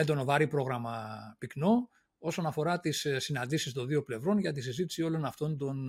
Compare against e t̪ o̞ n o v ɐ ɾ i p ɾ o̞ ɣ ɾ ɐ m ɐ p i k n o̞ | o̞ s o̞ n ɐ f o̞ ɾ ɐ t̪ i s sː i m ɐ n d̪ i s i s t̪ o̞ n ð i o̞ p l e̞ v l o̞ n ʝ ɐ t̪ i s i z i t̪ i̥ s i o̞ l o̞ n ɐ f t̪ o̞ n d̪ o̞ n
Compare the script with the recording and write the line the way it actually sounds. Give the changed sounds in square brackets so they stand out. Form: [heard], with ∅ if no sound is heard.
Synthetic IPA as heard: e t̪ o̞ n o v ɐ ɾ i p ɾ o̞ ɣ ɾ ɐ m ɐ p i k n o̞ | o̞ s o̞ n ɐ f o̞ ɾ ɐ t̪ i s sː i [n] ɐ n d̪ i s i s t̪ o̞ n ð i o̞ p l e̞ v [ɾ] o̞ n ʝ ɐ t̪ i s i z i t̪ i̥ s i o̞ l o̞ n ɐ f t̪ o̞ n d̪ o̞ n